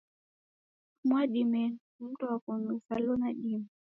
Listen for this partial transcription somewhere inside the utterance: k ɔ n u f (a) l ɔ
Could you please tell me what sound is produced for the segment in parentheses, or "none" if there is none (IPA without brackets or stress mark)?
a